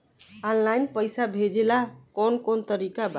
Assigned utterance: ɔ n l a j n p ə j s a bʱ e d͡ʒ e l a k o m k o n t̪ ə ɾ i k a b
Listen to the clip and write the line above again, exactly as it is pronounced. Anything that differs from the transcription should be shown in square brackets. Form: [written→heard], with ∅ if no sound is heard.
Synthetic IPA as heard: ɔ n l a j n p ə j s a bʱ e d͡ʒ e l a k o [m→n] k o n t̪ ə ɾ i k a b